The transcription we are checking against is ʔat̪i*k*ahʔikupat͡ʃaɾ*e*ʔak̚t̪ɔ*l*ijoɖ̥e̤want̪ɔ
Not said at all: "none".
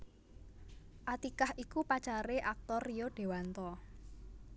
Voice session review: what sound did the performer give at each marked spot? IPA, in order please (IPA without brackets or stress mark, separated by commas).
k, e, r